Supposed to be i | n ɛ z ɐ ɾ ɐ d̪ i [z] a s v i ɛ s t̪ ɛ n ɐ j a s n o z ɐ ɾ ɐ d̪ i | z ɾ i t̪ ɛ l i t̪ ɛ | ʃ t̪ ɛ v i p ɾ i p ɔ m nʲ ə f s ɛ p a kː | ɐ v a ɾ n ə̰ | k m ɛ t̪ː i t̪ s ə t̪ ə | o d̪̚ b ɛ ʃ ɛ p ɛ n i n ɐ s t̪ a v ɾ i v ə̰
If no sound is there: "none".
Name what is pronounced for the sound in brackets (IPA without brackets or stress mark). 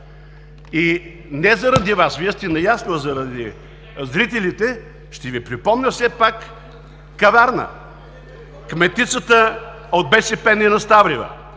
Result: v